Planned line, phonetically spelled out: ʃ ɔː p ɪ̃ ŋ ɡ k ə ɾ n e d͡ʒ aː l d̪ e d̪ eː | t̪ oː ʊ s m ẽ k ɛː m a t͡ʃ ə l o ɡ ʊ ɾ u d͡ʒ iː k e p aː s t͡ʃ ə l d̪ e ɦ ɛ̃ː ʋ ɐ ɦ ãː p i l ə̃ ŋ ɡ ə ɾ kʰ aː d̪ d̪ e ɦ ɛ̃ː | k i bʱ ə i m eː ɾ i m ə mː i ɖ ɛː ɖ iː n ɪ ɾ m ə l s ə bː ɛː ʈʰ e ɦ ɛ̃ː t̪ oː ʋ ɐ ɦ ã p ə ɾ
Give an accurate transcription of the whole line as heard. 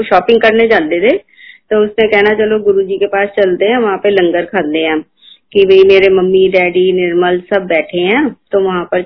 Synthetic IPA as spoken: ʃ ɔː p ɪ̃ ŋ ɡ k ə ɾ n e d͡ʒ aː l d̪ e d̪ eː | t̪ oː ʊ s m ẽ k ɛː n a t͡ʃ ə l o ɡ ʊ ɾ u d͡ʒ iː k e p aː s t͡ʃ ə l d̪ e ɦ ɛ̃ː ʋ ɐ ɦ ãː p e l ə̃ ŋ ɡ ə ɾ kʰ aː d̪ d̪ e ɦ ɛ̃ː | k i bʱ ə i m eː ɾ e m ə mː i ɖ ɛː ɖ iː n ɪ ɾ m ə l s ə bː ɛː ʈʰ e ɦ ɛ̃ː t̪ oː ʋ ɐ ɦ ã p ə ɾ